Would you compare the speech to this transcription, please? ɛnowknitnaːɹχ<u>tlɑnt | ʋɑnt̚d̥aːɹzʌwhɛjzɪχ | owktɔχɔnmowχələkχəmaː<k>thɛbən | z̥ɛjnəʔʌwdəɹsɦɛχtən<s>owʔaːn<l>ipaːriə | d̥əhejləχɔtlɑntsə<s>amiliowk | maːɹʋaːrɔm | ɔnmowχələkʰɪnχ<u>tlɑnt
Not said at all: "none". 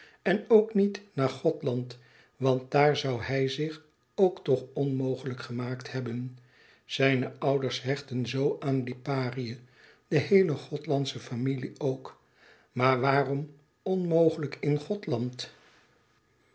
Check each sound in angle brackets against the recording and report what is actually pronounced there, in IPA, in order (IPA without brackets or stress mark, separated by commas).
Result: ɔ, k, z, l, f, ɔ